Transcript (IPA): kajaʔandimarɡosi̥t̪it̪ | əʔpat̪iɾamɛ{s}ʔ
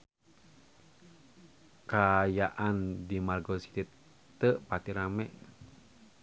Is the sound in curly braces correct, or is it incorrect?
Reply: incorrect: none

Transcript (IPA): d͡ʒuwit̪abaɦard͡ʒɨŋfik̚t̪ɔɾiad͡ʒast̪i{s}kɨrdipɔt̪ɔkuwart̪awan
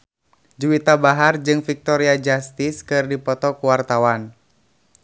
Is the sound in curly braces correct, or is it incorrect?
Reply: correct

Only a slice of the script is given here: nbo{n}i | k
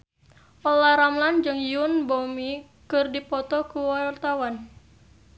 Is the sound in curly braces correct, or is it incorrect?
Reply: incorrect: m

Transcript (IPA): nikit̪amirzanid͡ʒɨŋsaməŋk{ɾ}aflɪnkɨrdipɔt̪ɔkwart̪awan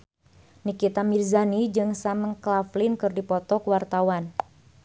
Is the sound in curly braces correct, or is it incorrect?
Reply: incorrect: l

